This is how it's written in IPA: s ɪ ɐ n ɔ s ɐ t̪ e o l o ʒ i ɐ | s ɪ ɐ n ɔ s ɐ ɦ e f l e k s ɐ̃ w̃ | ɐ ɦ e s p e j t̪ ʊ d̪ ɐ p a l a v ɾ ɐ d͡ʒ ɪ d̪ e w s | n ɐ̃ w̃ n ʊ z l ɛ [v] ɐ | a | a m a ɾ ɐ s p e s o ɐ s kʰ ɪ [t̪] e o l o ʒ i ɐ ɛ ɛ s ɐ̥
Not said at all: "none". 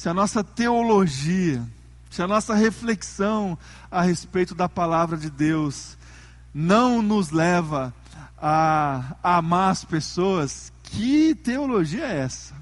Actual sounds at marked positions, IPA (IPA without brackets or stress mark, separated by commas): v, t̪